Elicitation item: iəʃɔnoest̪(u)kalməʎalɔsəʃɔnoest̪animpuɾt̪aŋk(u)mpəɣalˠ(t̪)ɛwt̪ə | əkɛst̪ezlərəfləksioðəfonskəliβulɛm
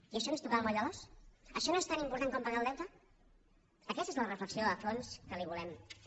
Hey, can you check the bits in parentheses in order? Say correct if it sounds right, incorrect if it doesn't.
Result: correct, incorrect: ɔ, incorrect: d̪

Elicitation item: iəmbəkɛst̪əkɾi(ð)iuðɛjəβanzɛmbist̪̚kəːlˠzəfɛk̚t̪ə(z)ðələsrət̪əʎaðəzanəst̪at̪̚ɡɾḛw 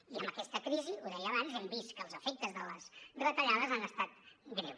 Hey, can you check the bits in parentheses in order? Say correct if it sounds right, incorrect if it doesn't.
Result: incorrect: z, correct

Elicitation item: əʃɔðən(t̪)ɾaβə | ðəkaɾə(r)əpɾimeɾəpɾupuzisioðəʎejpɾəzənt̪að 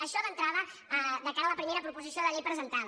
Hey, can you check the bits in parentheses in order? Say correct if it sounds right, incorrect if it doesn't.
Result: correct, incorrect: l

